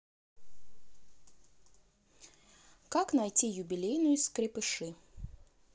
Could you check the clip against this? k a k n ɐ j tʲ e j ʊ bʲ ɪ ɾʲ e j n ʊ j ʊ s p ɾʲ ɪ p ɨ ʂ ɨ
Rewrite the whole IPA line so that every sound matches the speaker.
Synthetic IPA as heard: k a k n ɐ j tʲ i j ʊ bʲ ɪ lʲ e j n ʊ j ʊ s k ɾʲ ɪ p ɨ ʂ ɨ